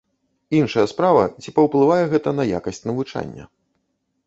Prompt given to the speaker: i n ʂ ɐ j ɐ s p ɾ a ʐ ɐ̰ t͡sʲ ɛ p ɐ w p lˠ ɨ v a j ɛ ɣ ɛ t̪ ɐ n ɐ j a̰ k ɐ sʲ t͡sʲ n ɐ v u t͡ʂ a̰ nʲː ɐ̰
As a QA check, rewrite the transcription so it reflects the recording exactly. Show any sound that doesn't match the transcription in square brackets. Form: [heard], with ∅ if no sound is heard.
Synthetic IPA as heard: i n ʂ ɐ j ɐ s p ɾ a [v] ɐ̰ t͡sʲ [i] p ɐ w p lˠ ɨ v a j ɛ ɣ ɛ t̪ ɐ n ɐ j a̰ k ɐ sʲ t͡sʲ n ɐ v u t͡ʂ a̰ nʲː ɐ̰